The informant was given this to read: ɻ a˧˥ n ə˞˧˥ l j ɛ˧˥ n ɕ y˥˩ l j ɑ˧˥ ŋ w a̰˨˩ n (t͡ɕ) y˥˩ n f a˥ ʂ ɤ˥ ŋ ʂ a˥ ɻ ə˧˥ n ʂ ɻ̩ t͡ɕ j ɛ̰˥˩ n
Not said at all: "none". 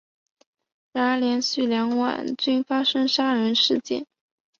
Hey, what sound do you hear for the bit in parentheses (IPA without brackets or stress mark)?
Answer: t͡ɕ